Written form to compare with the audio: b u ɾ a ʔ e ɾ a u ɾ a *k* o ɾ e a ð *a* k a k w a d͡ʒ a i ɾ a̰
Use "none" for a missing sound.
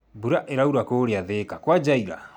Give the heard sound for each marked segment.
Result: k, e

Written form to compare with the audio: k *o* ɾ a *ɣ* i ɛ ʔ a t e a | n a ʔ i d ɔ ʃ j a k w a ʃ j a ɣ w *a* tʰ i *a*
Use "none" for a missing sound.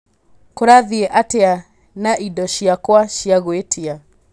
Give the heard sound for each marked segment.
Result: o, ð, e, a

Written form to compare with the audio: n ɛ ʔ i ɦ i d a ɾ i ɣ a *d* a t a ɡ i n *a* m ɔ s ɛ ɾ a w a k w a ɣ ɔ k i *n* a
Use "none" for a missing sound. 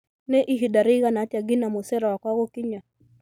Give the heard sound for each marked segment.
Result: n, a, ɲ

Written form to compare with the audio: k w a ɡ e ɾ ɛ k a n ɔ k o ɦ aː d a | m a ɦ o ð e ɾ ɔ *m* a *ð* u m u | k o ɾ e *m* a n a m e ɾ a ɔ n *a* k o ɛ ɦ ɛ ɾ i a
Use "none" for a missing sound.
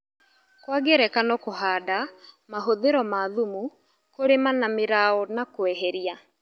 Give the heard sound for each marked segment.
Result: m, ð, m, a

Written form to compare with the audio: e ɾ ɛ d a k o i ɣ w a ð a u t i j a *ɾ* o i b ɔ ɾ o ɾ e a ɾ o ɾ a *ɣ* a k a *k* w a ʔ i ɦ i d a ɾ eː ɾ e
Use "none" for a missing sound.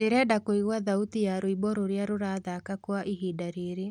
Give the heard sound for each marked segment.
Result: ɾ, ð, k

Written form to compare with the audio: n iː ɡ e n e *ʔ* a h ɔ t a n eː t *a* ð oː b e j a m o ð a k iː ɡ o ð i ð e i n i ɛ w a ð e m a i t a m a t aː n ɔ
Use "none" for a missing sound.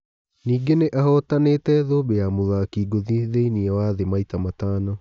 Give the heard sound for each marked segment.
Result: ʔ, ɛ

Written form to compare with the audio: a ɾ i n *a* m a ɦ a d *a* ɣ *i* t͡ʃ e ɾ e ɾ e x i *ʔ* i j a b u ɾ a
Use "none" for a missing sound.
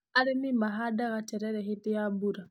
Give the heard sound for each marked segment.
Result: i, a, a, t

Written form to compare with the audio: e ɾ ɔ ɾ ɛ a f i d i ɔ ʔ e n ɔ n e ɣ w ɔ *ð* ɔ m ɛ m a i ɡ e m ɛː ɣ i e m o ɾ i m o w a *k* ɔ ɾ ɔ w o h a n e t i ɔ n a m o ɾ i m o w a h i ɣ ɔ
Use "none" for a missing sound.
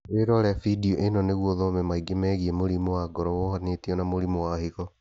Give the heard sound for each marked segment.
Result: ð, ɡ

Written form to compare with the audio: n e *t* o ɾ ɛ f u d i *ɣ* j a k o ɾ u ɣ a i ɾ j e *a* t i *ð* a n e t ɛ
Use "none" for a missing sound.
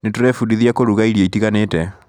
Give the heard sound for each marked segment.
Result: t, ð, i, ɣ

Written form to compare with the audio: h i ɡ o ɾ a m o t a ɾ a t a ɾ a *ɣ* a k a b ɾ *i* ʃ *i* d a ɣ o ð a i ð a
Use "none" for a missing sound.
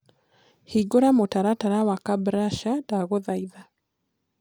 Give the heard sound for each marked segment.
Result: w, a, a

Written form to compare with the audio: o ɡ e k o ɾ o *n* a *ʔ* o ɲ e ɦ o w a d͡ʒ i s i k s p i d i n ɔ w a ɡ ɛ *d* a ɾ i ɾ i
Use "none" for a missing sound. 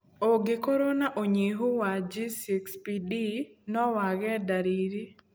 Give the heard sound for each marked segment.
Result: n, ʔ, d

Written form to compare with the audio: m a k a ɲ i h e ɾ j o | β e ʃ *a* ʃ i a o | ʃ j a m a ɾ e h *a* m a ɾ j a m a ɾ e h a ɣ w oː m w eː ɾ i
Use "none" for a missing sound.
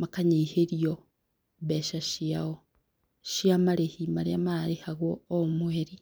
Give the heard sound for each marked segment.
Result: a, i

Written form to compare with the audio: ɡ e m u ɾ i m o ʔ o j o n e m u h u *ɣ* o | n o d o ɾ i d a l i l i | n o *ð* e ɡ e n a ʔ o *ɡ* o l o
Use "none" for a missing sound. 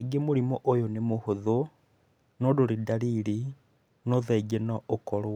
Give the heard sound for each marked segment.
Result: ð, ð, k

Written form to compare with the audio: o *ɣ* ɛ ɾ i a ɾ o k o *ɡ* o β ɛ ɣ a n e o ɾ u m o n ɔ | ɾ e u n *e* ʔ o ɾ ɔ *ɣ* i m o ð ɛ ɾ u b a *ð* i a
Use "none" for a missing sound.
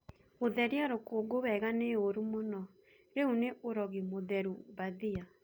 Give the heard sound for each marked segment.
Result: ð, ɡ, e, ɣ, ð

